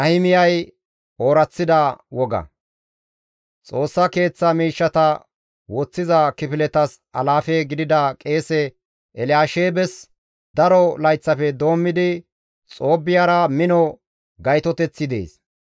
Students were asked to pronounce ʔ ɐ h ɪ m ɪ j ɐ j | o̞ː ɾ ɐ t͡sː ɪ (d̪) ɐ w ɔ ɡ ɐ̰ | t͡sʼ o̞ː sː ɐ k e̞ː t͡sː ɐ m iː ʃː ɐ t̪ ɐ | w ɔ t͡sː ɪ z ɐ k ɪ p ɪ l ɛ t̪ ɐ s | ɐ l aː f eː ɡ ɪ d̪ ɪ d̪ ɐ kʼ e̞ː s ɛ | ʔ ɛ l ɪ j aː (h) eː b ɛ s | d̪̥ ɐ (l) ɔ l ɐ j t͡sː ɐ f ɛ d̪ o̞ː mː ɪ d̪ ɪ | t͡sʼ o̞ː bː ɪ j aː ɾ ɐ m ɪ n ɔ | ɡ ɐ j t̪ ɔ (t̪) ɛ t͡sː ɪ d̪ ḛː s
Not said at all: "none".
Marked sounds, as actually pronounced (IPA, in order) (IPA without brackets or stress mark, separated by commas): d̪, ʃ, ɾ, t̪